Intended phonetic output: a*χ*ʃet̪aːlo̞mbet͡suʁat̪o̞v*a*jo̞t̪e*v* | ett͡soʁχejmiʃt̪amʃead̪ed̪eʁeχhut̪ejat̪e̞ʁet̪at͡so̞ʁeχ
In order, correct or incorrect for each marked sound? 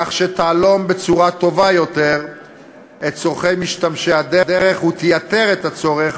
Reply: correct, correct, incorrect

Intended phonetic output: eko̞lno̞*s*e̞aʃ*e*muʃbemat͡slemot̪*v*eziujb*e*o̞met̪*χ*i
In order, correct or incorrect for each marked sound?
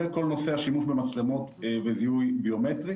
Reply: correct, incorrect, correct, incorrect, incorrect

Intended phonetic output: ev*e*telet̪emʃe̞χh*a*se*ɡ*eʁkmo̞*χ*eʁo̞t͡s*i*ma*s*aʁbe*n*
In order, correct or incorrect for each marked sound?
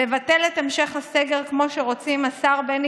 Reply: incorrect, correct, correct, incorrect, correct, correct, correct

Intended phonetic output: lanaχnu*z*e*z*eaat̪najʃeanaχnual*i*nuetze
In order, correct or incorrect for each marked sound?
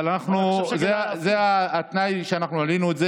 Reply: correct, correct, correct

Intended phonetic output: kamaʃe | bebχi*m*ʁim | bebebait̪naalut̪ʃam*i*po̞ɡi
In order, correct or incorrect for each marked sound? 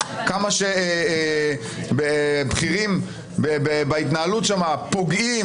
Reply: incorrect, incorrect

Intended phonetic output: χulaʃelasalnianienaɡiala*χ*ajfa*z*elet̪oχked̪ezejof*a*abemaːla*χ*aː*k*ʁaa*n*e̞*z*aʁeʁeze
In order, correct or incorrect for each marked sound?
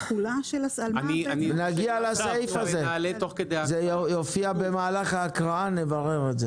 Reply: incorrect, correct, incorrect, correct, correct, correct, incorrect

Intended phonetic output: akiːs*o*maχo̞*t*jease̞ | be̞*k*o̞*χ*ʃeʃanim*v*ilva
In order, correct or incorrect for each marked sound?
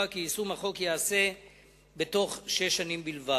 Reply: incorrect, incorrect, incorrect, correct, incorrect

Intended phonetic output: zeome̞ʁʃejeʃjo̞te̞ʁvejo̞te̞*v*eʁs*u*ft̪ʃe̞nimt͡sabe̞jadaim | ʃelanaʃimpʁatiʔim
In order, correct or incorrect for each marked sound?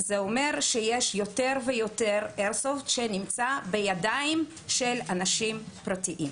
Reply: incorrect, incorrect

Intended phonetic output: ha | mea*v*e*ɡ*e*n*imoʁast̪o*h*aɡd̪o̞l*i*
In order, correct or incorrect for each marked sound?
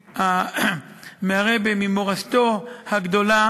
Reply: incorrect, incorrect, incorrect, correct, incorrect

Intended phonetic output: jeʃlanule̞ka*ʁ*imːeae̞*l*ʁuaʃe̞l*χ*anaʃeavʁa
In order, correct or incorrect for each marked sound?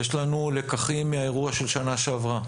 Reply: incorrect, incorrect, incorrect

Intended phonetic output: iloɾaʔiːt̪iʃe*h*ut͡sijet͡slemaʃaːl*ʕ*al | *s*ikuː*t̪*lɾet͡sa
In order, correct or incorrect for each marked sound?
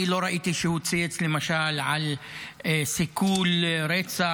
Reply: correct, correct, correct, incorrect

